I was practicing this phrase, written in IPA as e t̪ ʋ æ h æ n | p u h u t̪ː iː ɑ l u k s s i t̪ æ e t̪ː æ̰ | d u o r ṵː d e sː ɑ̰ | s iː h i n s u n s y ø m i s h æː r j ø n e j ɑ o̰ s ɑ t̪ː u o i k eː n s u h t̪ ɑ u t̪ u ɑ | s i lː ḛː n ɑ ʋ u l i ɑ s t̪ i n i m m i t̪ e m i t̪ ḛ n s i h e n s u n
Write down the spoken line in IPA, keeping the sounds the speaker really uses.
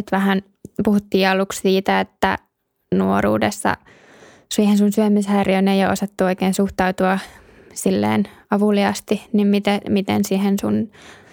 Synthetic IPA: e t̪ ʋ æ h æ n | p u h u t̪ː iː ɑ l u k s s iː t̪ æ e t̪ː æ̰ | n u o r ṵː d e sː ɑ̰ | s iː h e n s u n s y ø m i s h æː r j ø n e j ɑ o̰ s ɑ t̪ː u o i k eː n s u h t̪ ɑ u t̪ u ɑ | s i lː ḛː n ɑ ʋ u l i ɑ s t̪ i n i m m i t̪ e m i t̪ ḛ n s i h e n s u n